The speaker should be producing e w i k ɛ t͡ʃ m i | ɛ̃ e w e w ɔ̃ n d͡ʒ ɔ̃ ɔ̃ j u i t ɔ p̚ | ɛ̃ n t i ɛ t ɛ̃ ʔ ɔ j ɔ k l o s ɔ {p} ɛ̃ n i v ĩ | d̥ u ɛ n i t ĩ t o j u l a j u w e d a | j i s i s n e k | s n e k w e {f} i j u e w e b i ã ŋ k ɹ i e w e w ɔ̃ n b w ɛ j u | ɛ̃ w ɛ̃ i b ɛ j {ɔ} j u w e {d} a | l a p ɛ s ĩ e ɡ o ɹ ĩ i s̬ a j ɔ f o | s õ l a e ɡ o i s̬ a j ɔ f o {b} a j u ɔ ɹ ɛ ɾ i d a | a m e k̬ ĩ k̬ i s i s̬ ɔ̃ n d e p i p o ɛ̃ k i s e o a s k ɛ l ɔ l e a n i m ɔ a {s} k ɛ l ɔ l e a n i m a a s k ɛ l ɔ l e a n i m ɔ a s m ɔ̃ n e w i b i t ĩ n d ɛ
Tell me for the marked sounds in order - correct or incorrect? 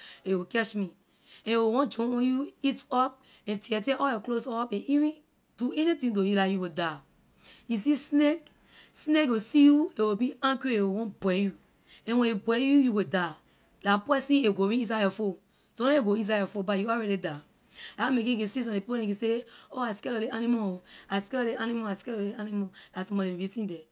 correct, incorrect, incorrect, correct, correct, correct

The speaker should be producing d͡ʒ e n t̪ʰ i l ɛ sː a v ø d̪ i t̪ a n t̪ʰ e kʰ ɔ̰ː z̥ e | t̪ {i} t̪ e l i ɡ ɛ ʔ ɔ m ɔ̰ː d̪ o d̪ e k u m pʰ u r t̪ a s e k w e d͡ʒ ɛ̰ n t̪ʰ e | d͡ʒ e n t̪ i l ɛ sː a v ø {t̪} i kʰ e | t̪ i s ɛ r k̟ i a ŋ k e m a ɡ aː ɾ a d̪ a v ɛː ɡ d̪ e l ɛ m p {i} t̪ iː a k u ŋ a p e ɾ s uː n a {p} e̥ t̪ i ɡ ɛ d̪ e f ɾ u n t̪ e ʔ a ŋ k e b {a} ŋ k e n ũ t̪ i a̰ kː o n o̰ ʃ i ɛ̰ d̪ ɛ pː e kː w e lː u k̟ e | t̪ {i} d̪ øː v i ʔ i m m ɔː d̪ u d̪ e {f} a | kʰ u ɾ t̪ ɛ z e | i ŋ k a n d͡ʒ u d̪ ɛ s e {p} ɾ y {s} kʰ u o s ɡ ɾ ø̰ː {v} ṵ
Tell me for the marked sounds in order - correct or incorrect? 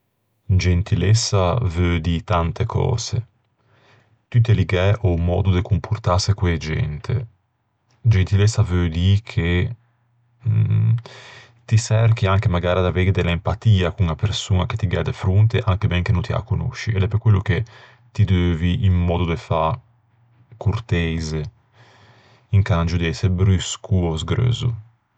incorrect, incorrect, incorrect, incorrect, incorrect, correct, correct, incorrect, correct, incorrect

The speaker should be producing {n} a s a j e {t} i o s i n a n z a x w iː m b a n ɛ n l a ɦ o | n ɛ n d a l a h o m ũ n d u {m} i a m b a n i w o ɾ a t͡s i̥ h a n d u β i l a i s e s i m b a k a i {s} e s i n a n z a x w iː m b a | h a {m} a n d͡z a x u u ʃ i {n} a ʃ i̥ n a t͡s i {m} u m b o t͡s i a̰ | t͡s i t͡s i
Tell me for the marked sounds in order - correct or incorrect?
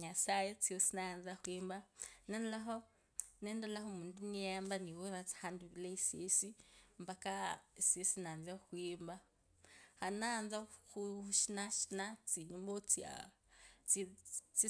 incorrect, incorrect, incorrect, correct, incorrect, correct, incorrect

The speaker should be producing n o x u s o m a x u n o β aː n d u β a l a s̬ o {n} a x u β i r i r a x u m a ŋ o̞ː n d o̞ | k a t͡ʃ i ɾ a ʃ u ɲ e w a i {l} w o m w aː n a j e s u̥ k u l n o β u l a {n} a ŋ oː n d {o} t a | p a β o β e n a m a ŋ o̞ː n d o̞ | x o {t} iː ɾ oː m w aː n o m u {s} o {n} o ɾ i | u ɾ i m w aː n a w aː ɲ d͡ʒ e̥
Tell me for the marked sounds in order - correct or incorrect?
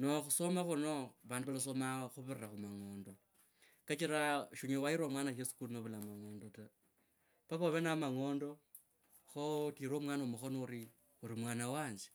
incorrect, incorrect, incorrect, correct, correct, incorrect, correct

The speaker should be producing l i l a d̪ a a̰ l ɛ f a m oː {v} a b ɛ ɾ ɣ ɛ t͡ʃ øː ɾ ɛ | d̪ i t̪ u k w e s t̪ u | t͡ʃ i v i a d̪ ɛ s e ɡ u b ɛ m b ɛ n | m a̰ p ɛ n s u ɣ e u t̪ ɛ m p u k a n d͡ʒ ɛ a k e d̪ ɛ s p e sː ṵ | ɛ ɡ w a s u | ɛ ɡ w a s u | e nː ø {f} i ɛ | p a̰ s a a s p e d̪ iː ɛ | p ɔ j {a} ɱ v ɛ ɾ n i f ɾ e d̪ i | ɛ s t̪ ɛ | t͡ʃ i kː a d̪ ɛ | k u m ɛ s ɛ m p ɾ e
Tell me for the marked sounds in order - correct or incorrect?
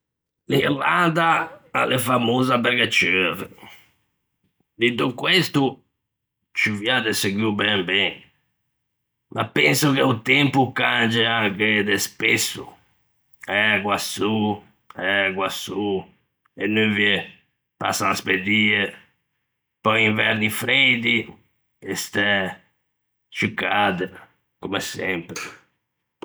incorrect, incorrect, incorrect

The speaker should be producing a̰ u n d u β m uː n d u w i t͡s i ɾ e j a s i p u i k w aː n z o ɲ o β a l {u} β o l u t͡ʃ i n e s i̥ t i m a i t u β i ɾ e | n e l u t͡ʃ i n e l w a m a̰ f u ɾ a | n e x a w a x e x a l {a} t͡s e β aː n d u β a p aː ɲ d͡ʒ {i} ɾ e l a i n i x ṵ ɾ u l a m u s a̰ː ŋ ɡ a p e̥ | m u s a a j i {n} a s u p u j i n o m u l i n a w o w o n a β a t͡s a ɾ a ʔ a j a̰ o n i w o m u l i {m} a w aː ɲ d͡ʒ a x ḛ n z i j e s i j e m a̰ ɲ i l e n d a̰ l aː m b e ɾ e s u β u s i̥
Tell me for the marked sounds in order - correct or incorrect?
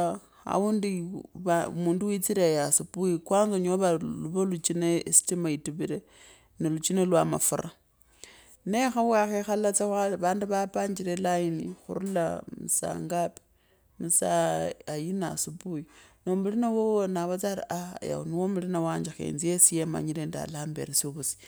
correct, correct, correct, correct, incorrect

